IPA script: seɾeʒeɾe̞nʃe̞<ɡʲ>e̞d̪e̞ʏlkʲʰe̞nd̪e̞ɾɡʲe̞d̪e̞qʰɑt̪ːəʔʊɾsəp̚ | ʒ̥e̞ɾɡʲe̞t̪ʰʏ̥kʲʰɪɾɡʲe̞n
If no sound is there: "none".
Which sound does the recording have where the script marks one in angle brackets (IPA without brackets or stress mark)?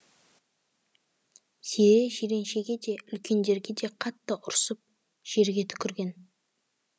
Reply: ɡʲ